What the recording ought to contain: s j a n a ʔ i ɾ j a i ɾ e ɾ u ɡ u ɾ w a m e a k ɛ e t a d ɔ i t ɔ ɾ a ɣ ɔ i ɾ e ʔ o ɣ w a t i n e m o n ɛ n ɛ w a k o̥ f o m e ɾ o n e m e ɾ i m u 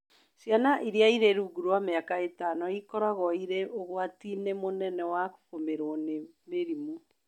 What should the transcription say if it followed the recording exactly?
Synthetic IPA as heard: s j a n a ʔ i ɾ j a i ɾ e ɾ u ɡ u ɾ w a m e a k a e t a n ɔ i k ɔ ɾ a ɣ ɔ i ɾ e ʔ o ɣ w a t i n e m o n ɛ n ɛ w a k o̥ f o m e ɾ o n e m e ɾ i m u